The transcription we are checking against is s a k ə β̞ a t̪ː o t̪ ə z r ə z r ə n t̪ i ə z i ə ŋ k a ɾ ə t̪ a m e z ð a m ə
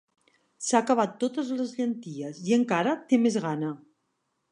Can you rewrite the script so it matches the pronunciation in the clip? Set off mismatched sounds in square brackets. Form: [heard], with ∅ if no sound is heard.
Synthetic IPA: s a k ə β̞ a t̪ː o t̪ ə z [l] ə z [ʎ] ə n t̪ i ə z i ə ŋ k a ɾ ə t̪ [e] m e z [ɣ] a [n] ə